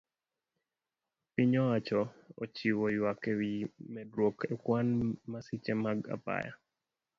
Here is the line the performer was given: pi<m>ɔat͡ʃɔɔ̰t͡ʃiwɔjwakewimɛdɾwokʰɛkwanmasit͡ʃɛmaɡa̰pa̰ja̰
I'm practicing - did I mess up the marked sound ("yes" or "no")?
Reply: yes